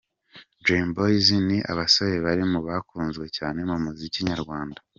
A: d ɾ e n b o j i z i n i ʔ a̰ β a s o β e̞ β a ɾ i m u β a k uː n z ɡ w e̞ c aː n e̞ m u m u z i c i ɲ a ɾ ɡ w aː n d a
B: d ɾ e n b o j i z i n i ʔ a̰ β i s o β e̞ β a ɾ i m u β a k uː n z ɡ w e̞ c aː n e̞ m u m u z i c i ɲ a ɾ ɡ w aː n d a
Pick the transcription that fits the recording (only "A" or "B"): A